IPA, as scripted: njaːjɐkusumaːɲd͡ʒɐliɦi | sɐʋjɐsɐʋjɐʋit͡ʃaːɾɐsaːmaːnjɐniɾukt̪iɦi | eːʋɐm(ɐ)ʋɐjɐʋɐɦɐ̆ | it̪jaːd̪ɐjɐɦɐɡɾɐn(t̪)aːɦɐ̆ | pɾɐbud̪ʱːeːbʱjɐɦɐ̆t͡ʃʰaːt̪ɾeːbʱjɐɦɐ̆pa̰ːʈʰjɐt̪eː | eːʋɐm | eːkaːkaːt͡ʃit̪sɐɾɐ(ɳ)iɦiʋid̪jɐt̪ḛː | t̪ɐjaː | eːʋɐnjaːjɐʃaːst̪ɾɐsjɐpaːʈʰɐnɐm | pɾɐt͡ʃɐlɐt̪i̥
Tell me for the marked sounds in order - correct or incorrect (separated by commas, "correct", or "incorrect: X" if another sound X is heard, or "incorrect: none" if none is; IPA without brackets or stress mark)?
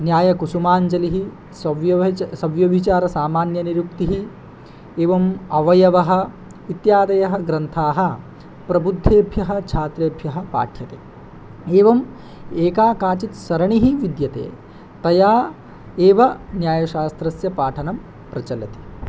correct, incorrect: t̪ʰ, correct